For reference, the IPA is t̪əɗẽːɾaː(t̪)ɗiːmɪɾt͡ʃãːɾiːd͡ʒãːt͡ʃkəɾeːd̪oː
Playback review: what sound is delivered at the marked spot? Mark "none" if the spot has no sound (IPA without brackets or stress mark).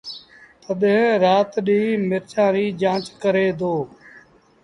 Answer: t̪